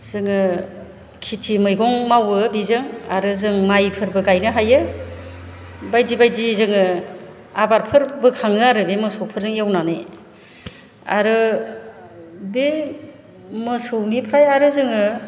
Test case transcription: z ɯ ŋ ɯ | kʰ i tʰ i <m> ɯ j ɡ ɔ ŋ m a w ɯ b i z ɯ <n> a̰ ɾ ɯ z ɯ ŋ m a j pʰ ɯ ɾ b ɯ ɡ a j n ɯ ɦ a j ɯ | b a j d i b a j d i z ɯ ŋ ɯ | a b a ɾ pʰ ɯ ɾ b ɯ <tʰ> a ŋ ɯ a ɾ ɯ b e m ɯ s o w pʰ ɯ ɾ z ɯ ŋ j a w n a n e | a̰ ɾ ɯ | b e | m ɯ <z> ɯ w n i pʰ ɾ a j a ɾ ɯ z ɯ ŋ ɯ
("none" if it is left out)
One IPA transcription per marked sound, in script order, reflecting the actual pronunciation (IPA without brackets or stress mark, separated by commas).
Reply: m, ŋ, kʰ, s